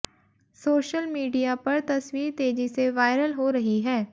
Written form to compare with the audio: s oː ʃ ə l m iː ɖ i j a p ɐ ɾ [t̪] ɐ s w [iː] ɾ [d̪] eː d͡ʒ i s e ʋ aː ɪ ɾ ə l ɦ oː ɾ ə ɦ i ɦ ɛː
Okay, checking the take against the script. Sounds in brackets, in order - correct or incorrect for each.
correct, correct, incorrect: t̪

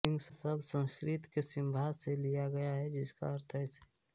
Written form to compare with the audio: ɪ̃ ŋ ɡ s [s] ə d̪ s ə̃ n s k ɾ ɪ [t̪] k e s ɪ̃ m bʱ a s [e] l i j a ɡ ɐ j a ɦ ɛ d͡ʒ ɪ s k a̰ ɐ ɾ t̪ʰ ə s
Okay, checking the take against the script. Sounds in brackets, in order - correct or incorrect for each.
correct, correct, correct

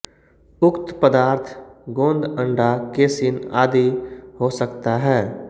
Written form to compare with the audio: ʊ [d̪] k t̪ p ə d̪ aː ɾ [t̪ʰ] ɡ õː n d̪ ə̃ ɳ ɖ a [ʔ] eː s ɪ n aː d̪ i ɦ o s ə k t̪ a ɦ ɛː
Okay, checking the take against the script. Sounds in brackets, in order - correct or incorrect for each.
incorrect: none, correct, incorrect: k

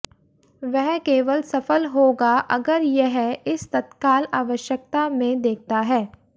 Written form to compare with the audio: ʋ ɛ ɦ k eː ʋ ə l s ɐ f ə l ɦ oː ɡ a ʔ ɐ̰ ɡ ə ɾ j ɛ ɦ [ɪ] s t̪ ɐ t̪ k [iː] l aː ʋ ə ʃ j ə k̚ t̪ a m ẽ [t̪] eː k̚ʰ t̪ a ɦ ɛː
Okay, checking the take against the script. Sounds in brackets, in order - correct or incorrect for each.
correct, incorrect: aː, incorrect: d̪

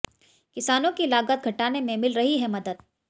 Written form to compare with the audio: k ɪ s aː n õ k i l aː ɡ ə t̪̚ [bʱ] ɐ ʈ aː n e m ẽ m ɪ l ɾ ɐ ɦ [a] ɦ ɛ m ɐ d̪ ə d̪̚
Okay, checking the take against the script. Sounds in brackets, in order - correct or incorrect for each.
incorrect: ɡʱ, incorrect: i

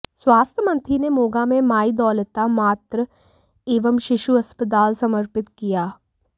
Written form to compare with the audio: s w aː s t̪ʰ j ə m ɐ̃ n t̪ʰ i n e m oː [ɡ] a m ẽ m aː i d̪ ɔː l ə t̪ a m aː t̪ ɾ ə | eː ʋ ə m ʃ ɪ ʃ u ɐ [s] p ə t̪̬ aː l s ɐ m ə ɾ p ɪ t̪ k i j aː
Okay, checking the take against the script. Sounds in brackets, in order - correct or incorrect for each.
correct, correct

